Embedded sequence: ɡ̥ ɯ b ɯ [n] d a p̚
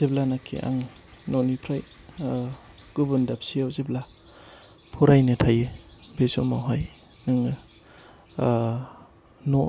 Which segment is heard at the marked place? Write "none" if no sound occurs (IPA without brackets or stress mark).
n